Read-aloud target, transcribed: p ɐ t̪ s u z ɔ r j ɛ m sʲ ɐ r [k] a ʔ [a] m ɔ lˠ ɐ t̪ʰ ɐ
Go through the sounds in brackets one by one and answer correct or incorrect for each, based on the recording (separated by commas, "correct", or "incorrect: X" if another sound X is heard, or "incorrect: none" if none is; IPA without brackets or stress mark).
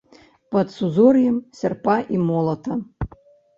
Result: incorrect: p, incorrect: i